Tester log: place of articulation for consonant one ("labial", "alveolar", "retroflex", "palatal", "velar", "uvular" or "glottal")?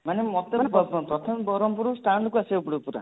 labial